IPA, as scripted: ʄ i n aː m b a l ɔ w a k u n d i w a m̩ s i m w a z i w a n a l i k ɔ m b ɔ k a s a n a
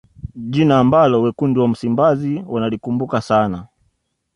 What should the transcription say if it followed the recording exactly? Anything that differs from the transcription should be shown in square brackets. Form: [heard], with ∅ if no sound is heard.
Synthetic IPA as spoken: ʄ i n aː m b a l ɔ w [ɛ] k u n d i w a m̩ s i m [b] a z i w a n a l i k [u] m b [u] k a s a n a